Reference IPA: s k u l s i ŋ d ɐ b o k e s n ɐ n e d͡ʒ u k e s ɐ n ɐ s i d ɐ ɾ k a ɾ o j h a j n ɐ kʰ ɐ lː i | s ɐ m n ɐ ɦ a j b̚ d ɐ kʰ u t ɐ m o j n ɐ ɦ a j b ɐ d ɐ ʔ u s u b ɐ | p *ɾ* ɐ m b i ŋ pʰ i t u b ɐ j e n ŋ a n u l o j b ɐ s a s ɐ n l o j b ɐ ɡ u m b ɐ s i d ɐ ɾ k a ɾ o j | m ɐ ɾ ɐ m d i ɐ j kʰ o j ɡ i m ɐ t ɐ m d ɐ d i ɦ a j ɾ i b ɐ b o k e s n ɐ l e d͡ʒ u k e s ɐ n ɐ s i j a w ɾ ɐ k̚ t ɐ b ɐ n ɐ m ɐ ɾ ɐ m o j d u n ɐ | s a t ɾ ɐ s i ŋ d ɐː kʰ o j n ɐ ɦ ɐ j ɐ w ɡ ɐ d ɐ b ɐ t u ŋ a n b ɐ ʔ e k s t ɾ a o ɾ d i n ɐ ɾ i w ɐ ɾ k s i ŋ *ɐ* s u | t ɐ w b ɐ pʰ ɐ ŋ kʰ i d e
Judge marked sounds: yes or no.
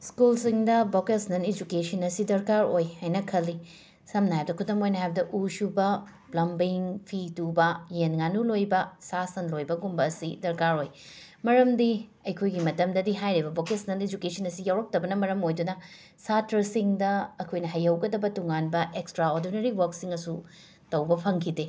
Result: no, yes

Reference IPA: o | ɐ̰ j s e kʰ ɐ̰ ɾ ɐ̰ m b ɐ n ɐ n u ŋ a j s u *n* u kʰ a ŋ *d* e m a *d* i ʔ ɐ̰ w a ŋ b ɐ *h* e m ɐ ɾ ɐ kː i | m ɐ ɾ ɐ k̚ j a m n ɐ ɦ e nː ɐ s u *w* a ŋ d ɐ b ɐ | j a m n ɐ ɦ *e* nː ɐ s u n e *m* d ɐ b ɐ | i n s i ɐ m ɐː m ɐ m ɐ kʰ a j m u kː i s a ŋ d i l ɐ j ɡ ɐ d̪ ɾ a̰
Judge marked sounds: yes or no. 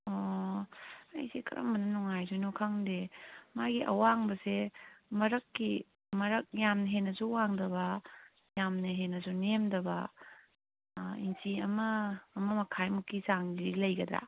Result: yes, yes, no, no, yes, yes, yes

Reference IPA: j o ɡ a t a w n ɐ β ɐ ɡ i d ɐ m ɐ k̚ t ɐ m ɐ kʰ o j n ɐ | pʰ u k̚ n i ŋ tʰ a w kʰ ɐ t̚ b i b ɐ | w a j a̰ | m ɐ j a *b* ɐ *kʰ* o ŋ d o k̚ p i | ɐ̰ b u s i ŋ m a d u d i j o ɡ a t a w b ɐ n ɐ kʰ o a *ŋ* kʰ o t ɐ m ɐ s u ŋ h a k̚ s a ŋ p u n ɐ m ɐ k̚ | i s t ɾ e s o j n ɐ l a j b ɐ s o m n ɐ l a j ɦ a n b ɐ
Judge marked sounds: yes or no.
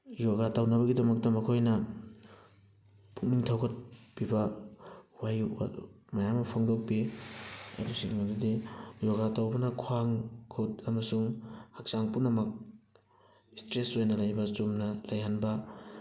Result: no, no, yes

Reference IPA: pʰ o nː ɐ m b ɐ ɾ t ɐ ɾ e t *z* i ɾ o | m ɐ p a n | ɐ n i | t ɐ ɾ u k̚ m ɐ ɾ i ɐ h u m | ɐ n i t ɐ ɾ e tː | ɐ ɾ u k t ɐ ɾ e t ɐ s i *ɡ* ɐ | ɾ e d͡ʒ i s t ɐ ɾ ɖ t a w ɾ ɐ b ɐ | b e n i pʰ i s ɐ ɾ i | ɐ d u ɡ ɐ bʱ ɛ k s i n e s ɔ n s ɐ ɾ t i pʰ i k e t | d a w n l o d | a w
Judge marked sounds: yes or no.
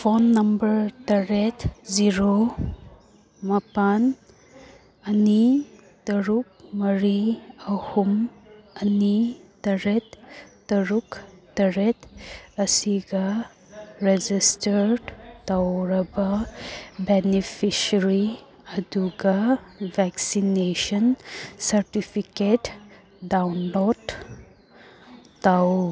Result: yes, yes

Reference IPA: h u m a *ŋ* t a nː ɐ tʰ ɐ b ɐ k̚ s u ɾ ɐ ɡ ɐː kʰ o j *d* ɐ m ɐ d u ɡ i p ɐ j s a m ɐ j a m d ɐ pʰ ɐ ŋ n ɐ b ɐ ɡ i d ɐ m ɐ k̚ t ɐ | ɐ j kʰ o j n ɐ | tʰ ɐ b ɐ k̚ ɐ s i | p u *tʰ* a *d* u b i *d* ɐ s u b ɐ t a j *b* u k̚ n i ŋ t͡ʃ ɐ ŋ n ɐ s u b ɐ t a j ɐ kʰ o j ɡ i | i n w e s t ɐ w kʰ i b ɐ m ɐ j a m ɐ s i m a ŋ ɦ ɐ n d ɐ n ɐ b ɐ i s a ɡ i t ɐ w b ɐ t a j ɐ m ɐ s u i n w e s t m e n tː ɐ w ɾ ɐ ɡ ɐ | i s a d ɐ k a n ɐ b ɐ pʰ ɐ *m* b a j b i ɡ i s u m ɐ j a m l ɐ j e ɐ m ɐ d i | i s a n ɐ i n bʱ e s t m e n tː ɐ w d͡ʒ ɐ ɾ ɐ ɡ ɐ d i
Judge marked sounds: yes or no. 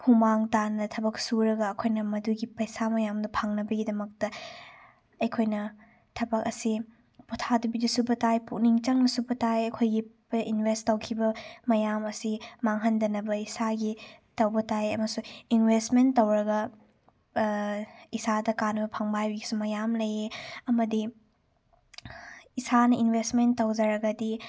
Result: yes, no, yes, yes, yes, no, no

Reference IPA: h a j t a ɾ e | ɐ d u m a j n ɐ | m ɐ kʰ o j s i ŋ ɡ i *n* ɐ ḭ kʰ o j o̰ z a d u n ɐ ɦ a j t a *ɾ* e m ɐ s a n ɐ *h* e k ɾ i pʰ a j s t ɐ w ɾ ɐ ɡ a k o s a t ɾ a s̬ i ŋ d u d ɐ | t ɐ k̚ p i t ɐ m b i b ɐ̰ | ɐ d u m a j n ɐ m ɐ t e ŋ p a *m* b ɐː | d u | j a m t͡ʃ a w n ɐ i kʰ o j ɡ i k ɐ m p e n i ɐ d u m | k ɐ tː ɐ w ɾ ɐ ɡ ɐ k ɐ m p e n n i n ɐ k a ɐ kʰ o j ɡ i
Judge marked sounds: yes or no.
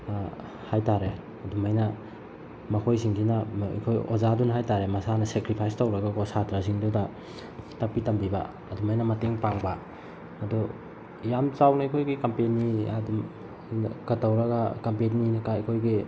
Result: yes, yes, no, no

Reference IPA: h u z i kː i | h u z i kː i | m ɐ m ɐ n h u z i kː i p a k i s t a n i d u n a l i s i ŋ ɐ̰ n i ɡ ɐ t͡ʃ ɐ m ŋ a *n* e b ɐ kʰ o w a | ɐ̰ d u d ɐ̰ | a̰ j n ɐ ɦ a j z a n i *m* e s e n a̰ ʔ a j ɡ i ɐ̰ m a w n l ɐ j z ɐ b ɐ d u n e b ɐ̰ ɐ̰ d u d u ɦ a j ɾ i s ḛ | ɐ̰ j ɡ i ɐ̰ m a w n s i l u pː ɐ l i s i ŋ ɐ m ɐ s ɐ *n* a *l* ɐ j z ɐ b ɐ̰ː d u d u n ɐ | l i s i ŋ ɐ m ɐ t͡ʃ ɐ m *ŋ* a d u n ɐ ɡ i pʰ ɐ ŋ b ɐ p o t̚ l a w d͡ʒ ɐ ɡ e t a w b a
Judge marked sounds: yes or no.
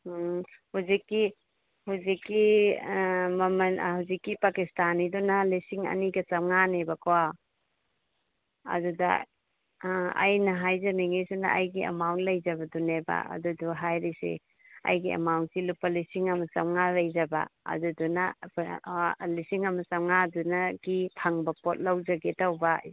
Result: yes, no, no, yes, yes

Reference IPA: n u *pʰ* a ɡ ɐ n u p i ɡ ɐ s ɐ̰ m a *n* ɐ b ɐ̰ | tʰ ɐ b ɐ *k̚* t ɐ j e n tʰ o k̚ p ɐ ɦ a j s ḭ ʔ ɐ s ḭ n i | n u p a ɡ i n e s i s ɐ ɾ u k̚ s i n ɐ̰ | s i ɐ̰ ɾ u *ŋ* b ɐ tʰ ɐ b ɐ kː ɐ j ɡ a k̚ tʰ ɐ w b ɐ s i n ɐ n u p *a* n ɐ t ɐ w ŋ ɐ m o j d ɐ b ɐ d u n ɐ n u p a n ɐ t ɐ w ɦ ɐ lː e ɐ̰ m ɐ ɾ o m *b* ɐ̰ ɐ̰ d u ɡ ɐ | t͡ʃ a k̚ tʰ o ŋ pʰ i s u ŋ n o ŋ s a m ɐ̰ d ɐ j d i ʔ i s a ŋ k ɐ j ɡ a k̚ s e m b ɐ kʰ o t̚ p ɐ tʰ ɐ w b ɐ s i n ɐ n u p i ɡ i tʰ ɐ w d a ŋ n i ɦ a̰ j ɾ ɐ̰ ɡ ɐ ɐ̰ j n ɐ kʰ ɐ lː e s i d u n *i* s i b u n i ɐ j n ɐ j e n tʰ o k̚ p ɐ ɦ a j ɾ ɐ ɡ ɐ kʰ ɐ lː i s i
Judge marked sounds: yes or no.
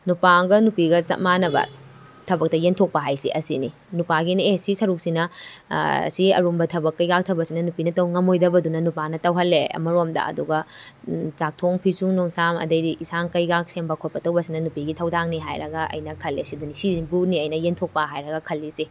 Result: no, yes, yes, no, no, no, yes

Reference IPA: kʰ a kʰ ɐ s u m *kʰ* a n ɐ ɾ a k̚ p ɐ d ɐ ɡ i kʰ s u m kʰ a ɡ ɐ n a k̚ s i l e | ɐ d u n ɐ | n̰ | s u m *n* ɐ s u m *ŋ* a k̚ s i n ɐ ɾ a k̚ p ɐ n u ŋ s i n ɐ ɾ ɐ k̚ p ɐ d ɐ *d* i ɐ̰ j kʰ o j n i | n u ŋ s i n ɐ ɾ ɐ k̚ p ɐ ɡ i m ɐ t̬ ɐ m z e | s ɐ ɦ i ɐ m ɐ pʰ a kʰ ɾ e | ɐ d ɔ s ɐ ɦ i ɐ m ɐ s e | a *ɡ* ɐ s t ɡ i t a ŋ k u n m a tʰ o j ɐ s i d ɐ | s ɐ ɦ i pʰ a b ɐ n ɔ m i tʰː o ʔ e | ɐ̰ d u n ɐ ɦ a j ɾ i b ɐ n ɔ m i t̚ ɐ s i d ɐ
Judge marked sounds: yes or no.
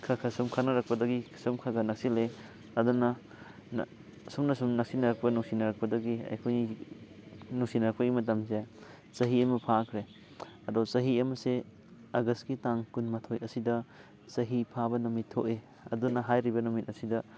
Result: yes, yes, no, no, yes

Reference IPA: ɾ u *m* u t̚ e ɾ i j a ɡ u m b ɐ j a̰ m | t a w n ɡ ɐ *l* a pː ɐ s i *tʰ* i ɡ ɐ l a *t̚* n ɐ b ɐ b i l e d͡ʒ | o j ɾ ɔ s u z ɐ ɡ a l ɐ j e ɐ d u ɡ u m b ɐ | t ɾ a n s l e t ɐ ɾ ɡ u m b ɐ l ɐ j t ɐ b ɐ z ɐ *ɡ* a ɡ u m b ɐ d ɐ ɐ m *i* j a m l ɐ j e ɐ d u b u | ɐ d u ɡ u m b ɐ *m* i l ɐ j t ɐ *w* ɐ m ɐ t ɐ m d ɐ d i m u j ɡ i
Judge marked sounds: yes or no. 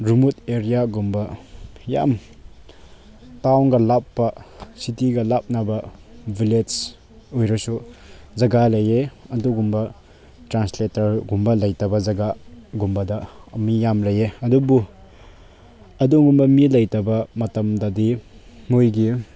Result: yes, yes, no, no, yes, yes, yes, no

